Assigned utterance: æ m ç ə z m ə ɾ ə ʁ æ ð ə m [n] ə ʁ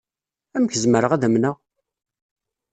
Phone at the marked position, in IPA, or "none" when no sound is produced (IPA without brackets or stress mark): n